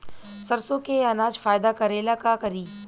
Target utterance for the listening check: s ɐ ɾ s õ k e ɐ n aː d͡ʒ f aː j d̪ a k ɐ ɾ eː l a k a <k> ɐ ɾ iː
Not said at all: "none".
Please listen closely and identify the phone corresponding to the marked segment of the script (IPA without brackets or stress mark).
k